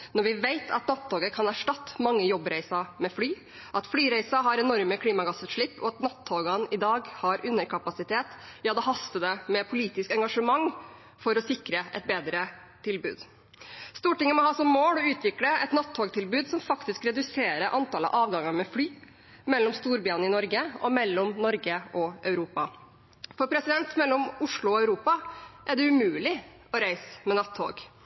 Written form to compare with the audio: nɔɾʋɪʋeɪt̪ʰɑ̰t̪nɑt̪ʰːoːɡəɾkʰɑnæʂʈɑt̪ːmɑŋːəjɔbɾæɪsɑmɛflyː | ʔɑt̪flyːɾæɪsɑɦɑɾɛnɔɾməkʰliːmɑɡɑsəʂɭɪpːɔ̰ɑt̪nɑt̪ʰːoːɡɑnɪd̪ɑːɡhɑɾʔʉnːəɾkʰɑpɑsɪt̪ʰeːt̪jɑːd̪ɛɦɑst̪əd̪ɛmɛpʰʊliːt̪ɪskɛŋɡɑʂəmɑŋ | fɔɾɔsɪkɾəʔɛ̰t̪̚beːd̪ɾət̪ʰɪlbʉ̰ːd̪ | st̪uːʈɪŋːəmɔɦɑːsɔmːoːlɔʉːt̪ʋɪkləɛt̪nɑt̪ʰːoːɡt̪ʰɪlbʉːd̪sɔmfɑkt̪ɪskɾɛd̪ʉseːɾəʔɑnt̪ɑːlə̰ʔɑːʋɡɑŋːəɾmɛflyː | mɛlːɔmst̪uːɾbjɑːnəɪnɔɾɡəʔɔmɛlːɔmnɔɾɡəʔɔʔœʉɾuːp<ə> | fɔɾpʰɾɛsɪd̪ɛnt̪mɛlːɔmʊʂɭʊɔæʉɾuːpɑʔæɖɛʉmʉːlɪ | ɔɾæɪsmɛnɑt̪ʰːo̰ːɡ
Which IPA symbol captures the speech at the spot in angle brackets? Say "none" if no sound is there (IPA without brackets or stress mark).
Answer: ɑ